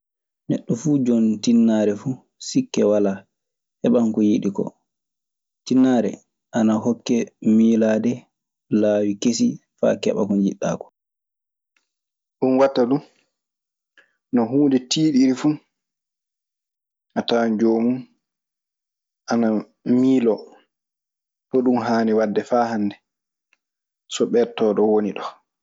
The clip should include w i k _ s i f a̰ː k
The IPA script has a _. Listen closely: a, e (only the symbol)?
e